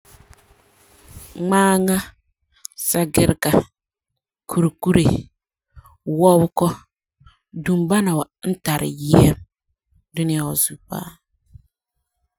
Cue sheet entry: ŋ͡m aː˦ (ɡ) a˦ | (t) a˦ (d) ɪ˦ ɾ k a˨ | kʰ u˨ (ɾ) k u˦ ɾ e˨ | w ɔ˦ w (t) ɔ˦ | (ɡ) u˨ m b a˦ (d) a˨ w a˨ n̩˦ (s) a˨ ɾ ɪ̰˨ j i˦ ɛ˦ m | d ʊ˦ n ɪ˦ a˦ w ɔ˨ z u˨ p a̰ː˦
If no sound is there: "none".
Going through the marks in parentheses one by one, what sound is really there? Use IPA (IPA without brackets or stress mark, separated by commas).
ŋ, s, ɡ, ɾ, k, d, n, t